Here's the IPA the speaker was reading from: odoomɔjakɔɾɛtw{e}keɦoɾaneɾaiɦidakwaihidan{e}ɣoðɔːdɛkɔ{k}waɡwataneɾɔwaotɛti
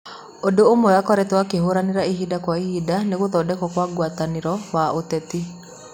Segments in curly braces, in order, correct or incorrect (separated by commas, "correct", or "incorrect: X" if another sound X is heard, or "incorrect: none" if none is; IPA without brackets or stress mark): incorrect: a, correct, correct